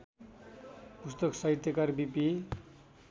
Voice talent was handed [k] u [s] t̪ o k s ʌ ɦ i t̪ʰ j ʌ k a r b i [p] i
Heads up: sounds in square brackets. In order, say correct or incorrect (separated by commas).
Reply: incorrect, correct, correct